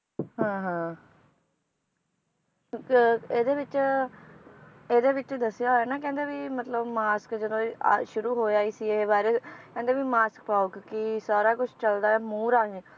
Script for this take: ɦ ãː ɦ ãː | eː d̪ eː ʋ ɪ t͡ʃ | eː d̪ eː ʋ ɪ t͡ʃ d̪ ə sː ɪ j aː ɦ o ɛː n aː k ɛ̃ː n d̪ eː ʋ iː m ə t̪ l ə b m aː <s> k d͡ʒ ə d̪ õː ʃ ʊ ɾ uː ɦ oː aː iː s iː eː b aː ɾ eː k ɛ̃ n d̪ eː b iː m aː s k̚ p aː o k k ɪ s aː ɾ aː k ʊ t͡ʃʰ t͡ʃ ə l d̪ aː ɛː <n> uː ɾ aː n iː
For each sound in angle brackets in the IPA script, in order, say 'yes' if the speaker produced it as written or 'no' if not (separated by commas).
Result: yes, no